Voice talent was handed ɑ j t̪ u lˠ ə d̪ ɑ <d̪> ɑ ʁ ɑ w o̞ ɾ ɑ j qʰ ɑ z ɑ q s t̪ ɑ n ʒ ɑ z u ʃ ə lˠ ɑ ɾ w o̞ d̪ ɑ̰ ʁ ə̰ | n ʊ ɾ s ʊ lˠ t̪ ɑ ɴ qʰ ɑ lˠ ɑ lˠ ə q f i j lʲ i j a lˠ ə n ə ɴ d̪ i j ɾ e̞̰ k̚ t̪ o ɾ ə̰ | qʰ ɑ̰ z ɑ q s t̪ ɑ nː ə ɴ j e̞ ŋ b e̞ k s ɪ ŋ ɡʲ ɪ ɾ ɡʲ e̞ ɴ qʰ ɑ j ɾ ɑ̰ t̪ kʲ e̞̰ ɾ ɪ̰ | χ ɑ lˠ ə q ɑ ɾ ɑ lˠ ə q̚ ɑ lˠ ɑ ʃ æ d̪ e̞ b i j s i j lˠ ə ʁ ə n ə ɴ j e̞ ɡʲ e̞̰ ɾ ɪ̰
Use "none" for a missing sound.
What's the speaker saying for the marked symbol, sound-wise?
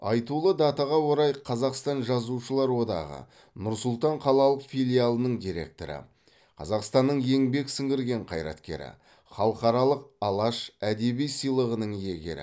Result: t̪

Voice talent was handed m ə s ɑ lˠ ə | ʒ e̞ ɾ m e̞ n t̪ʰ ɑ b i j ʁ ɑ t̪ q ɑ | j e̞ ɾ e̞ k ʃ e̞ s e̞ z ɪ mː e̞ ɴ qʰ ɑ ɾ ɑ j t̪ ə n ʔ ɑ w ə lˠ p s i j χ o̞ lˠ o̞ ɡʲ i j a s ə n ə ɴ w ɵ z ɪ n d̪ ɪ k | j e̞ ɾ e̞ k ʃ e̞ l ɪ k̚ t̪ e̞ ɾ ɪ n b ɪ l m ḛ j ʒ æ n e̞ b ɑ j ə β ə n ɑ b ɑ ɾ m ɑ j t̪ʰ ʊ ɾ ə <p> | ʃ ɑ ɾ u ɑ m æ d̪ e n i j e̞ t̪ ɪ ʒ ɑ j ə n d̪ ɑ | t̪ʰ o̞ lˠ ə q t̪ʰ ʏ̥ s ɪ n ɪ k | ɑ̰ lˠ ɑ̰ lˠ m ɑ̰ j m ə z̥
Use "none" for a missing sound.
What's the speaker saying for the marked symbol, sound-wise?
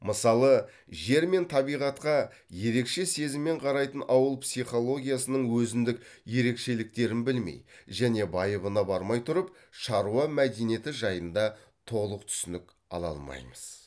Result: p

